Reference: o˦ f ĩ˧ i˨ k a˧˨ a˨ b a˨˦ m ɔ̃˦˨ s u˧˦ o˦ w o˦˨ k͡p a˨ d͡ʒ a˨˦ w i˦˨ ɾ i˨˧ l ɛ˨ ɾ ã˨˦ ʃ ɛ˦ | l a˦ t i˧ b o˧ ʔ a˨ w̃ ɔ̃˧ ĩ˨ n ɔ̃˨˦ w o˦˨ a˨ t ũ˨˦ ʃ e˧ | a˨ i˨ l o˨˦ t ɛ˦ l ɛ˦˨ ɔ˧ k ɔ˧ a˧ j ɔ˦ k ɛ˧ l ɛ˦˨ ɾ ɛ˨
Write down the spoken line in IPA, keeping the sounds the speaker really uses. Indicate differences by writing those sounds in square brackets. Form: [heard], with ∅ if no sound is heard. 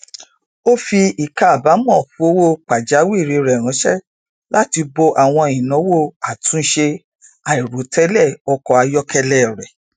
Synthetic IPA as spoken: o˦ f [i˧] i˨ k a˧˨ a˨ b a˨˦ m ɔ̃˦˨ [f] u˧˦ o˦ w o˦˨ k͡p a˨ d͡ʒ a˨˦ w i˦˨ ɾ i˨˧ [ɾ] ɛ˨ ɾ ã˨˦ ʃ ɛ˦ | l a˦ t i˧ b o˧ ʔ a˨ w̃ ɔ̃˧ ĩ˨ n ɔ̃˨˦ w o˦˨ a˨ t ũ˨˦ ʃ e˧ | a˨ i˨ [ɾ] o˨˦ t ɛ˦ l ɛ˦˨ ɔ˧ k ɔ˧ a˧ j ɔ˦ k ɛ˧ l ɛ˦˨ ɾ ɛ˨